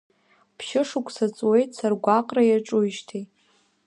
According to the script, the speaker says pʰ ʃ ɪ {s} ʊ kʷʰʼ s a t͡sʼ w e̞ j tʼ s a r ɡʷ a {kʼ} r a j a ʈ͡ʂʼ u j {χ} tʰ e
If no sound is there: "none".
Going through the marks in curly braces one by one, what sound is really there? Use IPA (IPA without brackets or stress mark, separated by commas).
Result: ʂ, qʼ, ʃ